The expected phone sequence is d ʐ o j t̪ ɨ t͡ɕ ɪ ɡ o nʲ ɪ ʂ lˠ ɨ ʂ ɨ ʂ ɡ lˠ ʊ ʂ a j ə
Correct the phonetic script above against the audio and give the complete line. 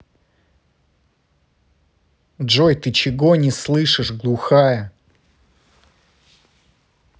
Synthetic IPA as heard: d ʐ o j t̪ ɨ t͡ɕ ɪ ɡ o nʲ ɪ s lˠ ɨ ʂ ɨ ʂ ɡ lˠ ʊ x a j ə